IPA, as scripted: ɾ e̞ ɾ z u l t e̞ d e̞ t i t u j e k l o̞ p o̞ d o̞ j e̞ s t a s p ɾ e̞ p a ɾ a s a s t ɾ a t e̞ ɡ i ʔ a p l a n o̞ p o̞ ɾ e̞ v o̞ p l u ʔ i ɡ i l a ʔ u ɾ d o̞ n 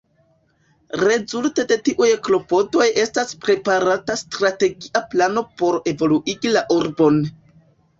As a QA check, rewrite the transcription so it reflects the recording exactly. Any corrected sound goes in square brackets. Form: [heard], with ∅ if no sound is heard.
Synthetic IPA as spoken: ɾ e̞ [∅] z u l t e̞ d e̞ t i [ʔ] u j e k l o̞ p o̞ d o̞ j e̞ s t a s p ɾ e̞ p a ɾ a [t] a s t ɾ a t e̞ ɡ i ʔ a p l a n o̞ p o̞ ɾ e̞ v o̞ [∅] l u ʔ i ɡ i l a ʔ u ɾ [b] o̞ n

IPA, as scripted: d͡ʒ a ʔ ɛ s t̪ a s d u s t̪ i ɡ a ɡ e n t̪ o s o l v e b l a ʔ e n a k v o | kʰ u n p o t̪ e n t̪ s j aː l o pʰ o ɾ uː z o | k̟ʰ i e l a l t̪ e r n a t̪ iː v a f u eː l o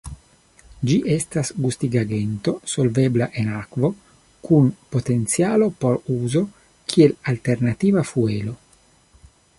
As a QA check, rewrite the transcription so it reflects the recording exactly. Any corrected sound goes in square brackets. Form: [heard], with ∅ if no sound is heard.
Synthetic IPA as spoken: d͡ʒ [i] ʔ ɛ s t̪ a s [ɡ] u s t̪ i ɡ a ɡ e n t̪ o s o l v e b l a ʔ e n a k v o | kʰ u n p o t̪ e n t̪ s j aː l o [p] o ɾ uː z o | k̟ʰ i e l a l t̪ e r n a t̪ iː v a f u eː l o

